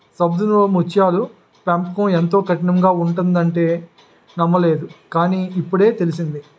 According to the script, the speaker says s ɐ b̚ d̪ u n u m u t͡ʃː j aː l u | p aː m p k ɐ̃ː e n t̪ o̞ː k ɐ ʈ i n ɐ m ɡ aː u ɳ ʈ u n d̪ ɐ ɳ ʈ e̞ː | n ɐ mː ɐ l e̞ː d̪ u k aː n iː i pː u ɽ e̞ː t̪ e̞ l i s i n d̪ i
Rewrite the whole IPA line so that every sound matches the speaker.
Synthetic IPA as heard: s ɐ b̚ d̪ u n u m u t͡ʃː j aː l u | p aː m p k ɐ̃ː e n t̪ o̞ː k ɐ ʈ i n ɐ m ɡ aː u ɳ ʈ u n d̪ ɐ ɳ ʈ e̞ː | n ɐ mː ɐ l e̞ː d̪ u k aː n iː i pː u ɽ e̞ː t̪ e̞ l i s i n d̪ i